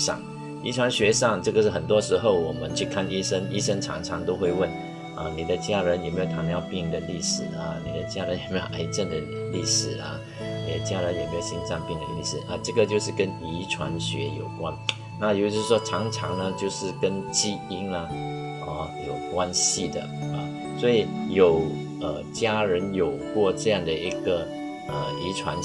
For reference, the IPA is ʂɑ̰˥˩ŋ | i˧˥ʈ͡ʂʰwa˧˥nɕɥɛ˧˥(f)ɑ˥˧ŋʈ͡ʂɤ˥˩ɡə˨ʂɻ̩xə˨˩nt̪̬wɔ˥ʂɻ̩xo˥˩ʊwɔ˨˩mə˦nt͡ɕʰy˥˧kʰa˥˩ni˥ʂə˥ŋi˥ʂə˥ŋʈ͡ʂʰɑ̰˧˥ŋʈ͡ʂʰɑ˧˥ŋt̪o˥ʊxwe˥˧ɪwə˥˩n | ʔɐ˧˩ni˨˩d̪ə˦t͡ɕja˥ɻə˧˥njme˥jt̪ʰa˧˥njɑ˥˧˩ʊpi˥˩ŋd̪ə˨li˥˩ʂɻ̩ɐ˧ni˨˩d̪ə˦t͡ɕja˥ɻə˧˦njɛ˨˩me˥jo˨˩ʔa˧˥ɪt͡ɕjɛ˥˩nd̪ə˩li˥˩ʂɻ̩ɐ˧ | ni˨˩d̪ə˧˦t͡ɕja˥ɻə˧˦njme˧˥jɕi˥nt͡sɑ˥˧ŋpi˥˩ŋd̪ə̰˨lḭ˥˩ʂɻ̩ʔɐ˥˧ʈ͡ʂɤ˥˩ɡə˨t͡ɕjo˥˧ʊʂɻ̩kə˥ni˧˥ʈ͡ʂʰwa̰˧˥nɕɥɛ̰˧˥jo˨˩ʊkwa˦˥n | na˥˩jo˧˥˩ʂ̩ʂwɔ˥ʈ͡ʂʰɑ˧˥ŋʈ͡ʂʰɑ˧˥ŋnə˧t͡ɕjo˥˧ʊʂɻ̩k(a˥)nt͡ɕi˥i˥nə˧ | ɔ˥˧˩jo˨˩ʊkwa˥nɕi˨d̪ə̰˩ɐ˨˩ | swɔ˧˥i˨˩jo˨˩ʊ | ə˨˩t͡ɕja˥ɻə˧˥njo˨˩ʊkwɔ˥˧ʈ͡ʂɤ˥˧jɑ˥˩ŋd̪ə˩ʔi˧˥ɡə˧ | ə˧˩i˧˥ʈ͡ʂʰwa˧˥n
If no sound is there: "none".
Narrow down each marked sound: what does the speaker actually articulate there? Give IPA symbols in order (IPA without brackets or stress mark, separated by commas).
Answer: ʂ, ə˥